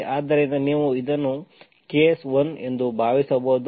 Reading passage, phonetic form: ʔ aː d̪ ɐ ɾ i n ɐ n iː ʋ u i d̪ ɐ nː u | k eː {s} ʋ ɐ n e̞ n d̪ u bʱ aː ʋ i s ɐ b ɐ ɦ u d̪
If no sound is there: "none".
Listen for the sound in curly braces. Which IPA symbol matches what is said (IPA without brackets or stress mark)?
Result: s